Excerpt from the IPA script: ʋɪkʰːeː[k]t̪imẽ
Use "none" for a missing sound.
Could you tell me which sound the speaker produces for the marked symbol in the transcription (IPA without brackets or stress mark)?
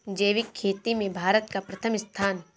none